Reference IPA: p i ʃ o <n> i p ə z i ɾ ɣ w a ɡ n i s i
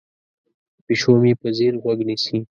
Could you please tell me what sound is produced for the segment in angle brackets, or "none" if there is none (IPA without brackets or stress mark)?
m